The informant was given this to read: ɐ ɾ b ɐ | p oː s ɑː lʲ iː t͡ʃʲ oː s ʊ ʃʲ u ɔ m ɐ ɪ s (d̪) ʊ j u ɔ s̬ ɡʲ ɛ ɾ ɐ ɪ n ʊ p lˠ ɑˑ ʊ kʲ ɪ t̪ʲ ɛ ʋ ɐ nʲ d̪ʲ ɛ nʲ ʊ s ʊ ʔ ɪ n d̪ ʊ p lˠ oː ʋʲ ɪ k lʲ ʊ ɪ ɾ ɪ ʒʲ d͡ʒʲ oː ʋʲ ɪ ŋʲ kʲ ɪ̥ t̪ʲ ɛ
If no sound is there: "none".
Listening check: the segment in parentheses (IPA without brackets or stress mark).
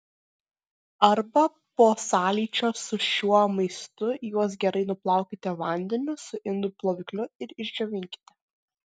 t̪